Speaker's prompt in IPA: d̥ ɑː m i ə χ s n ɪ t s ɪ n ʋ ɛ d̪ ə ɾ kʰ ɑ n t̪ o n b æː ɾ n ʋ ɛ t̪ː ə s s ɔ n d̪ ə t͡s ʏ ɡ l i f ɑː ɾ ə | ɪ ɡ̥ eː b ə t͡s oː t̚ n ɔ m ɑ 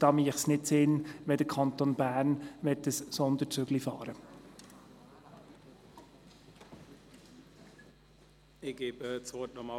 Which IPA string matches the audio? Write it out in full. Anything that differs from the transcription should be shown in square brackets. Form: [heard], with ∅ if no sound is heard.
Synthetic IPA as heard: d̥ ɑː m i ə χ s n ɪ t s ɪ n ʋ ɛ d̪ ə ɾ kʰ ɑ n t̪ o n b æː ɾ n ʋ ɛ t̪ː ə s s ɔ n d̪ ə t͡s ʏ ɡ l i f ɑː ɾ ə | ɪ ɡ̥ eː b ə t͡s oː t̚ n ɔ m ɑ